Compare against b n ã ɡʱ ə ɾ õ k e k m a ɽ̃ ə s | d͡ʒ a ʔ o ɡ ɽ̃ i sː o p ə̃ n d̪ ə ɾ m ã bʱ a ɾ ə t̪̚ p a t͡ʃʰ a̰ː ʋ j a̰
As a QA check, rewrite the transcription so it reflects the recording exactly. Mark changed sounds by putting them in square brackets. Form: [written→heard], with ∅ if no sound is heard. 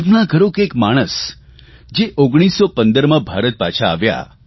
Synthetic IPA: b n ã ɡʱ ə ɾ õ k e k m a ɽ̃ ə s | d͡ʒ [a→e] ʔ o ɡ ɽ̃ i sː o p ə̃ n d̪ ə ɾ m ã bʱ a ɾ ə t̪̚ p a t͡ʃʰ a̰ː ʋ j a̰

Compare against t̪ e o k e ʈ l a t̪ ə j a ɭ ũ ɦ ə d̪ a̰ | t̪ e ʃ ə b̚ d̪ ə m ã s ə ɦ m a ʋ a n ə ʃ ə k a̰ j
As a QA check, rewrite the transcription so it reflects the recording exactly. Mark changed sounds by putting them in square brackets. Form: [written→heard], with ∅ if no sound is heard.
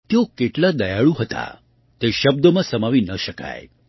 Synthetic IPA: t̪ e o k e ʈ l a [t̪→d̪] ə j a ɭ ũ ɦ ə [d̪→t̪] a̰ | t̪ e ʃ ə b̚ d̪ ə m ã s ə [ɦ→∅] m a ʋ [a→i] n ə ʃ ə k a̰ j

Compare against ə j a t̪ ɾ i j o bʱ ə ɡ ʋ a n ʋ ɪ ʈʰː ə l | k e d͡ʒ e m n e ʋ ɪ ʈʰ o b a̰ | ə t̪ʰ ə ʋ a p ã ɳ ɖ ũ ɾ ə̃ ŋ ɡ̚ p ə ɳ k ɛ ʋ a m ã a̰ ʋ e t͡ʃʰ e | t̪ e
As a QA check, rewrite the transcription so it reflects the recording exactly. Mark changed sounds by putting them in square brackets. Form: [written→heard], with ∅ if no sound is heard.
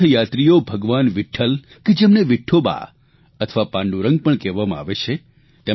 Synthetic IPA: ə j a t̪ ɾ i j o bʱ ə ɡ ʋ a n ʋ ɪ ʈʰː ə l | k e d͡ʒ e m n e ʋ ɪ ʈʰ o b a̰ | ə t̪ʰ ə ʋ a p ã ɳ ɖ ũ ɾ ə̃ ŋ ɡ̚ p ə ɳ k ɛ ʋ a m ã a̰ ʋ e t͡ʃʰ e | t̪ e

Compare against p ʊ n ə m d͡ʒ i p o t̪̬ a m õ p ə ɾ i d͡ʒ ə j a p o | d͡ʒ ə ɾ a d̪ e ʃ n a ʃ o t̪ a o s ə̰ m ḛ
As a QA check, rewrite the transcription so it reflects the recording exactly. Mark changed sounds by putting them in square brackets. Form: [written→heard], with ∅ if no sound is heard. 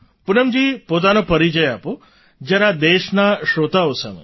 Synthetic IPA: p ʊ n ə m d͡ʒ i p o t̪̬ a [m→n] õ p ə ɾ i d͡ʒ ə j a p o | d͡ʒ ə ɾ a d̪ e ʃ n a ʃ o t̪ a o s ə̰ m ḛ

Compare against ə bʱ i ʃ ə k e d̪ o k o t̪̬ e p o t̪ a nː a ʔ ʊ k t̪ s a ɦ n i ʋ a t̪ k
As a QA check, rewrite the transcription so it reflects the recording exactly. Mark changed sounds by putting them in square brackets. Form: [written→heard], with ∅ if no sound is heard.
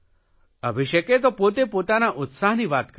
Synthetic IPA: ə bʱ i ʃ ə k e [d̪→t̪] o [k→p] o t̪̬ e p o t̪ a [nː→n] a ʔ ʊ [k→∅] t̪ s a ɦ n i ʋ a t̪ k

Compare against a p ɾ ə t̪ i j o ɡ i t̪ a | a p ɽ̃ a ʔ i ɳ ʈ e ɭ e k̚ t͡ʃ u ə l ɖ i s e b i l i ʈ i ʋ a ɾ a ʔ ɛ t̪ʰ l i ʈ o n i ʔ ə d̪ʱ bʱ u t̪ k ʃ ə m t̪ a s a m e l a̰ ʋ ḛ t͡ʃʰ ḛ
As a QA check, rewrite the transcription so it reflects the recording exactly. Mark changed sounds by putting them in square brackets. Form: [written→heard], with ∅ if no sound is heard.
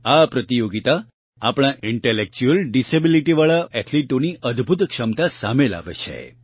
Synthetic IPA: a p ɾ ə t̪ i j o ɡ i t̪ a | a p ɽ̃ a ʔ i ɳ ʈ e [ɭ→l] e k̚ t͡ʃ u ə l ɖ i s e b i l i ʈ i ʋ a [ɾ→ɭ] a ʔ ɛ t̪ʰ l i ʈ o n i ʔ ə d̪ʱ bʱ u t̪ k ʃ ə m t̪ a s a m e l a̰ ʋ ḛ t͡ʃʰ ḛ

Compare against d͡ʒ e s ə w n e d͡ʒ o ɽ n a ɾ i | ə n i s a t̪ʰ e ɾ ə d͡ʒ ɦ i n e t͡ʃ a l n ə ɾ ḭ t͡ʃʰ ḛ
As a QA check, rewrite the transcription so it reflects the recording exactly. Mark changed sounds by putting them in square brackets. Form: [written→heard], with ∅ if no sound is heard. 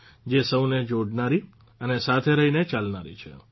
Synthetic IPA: d͡ʒ e s ə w n e d͡ʒ o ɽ n a ɾ i | ə n [i→e] s a t̪ʰ e ɾ ə [d͡ʒ→∅] ɦ i n e t͡ʃ a l n [ə→a] ɾ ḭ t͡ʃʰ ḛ

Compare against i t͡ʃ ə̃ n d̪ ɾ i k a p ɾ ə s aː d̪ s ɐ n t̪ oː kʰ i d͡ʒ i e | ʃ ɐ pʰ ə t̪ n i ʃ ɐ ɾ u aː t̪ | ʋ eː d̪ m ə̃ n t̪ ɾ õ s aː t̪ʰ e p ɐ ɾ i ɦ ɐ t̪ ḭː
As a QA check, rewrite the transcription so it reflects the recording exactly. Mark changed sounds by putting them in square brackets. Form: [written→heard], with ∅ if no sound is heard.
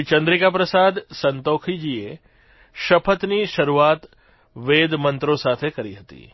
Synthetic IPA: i t͡ʃ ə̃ n d̪ ɾ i k a p ɾ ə s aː d̪ s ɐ n t̪ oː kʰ i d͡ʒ i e | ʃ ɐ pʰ ə t̪ n i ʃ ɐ ɾ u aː t̪ | ʋ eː d̪ m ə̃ n t̪ ɾ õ s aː t̪ʰ e [p→k] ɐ ɾ i ɦ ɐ t̪ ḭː

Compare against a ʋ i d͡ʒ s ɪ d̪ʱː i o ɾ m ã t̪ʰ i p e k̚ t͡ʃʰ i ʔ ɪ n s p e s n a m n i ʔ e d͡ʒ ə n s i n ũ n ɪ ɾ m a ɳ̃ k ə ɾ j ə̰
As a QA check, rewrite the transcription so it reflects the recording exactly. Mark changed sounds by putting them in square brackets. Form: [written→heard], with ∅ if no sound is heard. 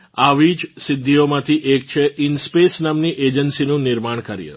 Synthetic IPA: a ʋ i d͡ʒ s ɪ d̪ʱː i o [ɾ→∅] m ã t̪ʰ i [p→ʔ] e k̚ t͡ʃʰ [i→e] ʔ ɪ n s p e s n a m n i ʔ e d͡ʒ ə n s i n ũ n ɪ ɾ m a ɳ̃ k ə ɾ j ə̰

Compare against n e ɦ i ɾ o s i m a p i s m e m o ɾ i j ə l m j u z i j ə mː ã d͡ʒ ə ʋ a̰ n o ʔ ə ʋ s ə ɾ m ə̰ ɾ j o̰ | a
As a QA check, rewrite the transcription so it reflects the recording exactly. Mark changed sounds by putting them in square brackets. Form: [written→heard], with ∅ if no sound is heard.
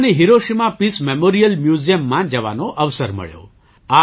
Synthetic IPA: n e ɦ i ɾ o [s→ʃ] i m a p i s m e m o ɾ i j ə l m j u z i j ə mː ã d͡ʒ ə ʋ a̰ n o ʔ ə ʋ s ə ɾ m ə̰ [ɾ→ɭ] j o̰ | a

